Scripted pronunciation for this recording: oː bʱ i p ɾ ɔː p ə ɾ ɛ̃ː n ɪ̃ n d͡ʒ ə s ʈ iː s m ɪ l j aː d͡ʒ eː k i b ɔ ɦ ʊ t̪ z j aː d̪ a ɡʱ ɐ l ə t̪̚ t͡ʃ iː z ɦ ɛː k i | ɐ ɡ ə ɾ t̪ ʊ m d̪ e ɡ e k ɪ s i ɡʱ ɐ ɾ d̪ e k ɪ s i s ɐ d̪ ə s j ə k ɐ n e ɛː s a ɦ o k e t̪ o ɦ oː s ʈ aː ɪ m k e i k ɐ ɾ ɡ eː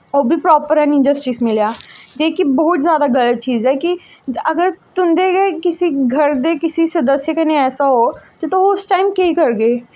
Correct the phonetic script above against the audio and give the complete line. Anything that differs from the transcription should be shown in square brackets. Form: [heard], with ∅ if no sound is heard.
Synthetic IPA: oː bʱ i p ɾ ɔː p ə ɾ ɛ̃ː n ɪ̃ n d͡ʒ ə s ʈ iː s m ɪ l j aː d͡ʒ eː k i b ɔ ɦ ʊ t̪ z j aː d̪ a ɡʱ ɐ l ə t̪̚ t͡ʃ iː z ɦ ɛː k i | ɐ ɡ ə ɾ t̪ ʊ m d̪ e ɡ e k ɪ s i ɡʱ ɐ ɾ d̪ e k ɪ s i s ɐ d̪ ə s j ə k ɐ n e ɛː s a ɦ o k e t̪ o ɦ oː s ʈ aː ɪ m k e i k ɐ ɾ ɡ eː